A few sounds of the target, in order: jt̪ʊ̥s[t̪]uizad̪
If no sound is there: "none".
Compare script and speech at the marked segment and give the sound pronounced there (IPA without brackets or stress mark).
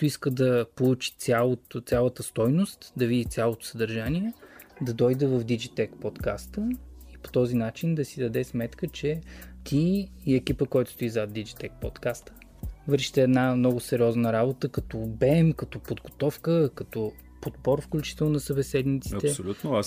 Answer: t̪